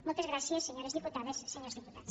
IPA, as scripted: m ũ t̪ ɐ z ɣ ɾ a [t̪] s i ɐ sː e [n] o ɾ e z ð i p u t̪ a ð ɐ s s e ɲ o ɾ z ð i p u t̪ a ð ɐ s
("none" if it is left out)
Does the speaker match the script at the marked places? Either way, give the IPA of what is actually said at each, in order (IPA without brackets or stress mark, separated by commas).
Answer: none, ɲ